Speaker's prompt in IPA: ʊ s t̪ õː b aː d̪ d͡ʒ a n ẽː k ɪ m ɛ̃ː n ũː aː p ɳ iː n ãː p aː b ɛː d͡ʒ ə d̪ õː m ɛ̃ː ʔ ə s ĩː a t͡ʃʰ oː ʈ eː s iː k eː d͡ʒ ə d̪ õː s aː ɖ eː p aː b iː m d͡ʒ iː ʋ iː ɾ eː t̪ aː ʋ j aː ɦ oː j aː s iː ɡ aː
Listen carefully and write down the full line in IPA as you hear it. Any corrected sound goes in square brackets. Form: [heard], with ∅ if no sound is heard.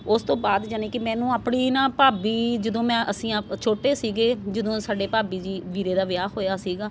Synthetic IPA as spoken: ʊ s t̪ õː b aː d̪ d͡ʒ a n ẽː k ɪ m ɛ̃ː n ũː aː p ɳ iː n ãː p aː b [iː] d͡ʒ ə d̪ õː m ɛ̃ː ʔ ə s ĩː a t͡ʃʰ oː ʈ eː s iː [ɡ] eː d͡ʒ ə d̪ õː s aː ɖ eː p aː b iː [∅] d͡ʒ iː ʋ iː ɾ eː [d̪] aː ʋ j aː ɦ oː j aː s iː ɡ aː

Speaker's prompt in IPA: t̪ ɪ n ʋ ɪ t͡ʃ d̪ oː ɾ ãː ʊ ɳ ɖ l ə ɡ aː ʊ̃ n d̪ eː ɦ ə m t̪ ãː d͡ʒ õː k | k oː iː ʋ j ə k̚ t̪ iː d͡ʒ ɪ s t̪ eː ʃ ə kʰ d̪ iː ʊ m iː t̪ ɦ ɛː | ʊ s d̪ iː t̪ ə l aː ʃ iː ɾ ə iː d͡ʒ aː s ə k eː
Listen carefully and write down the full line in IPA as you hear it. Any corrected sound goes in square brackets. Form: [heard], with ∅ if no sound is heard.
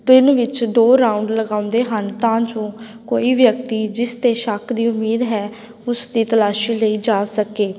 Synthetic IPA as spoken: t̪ ɪ n ʋ ɪ t͡ʃ d̪ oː ɾ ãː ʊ ɳ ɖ l ə ɡ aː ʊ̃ n d̪ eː ɦ ə [n] t̪ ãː d͡ʒ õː [∅] | k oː iː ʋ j ə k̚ t̪ iː d͡ʒ ɪ s t̪ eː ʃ ə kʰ d̪ iː ʊ m iː [d̪] ɦ ɛː | ʊ s d̪ iː t̪ ə l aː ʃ iː [l] ə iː d͡ʒ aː s ə k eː

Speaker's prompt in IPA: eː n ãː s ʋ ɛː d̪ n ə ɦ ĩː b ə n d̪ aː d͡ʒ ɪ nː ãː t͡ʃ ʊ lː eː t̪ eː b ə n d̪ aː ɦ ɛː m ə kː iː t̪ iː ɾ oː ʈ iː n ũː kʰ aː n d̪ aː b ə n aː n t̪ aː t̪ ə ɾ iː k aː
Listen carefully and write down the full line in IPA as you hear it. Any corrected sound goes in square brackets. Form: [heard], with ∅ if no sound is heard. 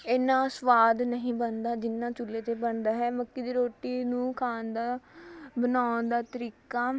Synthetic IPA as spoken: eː n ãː s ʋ [aː] d̪ n ə ɦ ĩː b ə n d̪ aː d͡ʒ ɪ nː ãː t͡ʃ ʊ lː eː t̪ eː b ə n d̪ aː ɦ ɛː m ə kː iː [d̪] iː ɾ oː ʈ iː n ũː kʰ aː n d̪ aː b ə n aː n [d̪] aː t̪ ə ɾ iː k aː

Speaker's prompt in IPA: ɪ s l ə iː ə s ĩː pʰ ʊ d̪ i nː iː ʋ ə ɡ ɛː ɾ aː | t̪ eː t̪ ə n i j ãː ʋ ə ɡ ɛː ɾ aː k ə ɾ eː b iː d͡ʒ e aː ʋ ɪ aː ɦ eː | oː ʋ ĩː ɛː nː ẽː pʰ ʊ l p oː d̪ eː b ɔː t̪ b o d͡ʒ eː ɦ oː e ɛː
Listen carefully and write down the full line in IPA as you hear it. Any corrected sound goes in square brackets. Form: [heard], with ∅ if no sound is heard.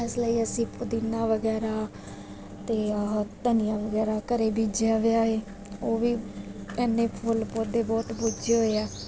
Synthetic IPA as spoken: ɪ s l ə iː ə s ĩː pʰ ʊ d̪ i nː [aː] ʋ ə ɡ ɛː ɾ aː | t̪ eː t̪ ə n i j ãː ʋ ə ɡ ɛː ɾ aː k ə ɾ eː b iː d͡ʒ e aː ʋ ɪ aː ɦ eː | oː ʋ [iː] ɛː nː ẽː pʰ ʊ l p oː d̪ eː b ɔː t̪ b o d͡ʒ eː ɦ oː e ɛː

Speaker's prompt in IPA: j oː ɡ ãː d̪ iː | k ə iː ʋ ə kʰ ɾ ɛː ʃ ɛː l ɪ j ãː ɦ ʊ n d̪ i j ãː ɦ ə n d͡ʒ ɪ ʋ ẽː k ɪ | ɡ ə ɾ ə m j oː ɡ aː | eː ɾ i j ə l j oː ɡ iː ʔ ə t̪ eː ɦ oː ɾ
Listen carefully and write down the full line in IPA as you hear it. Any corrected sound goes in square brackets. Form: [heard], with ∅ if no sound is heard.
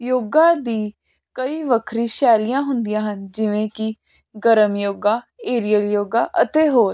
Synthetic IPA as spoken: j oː ɡ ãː d̪ iː | k ə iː ʋ ə kʰ ɾ [iː] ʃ ɛː l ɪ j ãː ɦ ʊ n d̪ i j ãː ɦ ə n d͡ʒ ɪ ʋ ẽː k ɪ | ɡ ə ɾ ə m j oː ɡ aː | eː ɾ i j ə l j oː ɡ [aː] ʔ ə t̪ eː ɦ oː ɾ

